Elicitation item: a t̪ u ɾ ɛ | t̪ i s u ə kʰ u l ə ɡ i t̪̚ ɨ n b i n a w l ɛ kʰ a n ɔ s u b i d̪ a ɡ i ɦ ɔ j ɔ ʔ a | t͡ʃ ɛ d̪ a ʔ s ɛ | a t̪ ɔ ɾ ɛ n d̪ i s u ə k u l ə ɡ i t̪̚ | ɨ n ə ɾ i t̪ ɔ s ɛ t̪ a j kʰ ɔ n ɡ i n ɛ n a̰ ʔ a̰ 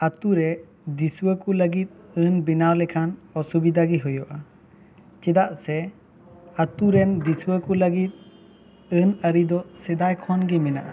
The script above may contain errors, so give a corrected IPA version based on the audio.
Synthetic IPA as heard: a t̪ u ɾ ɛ | d̪ i s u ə k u l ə ɡ i t̪̚ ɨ n b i n a w l ɛ kʰ a n ɔ s u b i d̪ a ɡ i ɦ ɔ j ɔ ʔ a | t͡ʃ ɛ d̪ a ʔ s ɛ | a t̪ u ɾ ɛ n d̪ i s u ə k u l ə ɡ i t̪̚ | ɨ n ə ɾ i d̪ ɔ s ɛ d̪ a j kʰ ɔ n ɡ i m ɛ n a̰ ʔ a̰